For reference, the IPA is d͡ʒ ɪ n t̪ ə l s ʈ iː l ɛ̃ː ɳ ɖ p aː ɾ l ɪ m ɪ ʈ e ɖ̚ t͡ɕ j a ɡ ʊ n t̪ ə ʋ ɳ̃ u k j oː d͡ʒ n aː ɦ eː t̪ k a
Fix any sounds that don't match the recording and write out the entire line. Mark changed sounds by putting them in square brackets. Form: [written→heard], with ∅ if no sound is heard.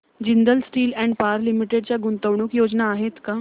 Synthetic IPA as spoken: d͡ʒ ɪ n [t̪→d̪] ə l s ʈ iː l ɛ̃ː ɳ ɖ p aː ɾ l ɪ m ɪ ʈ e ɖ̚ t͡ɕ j a ɡ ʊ n t̪ ə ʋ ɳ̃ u k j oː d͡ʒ n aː ɦ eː t̪ k a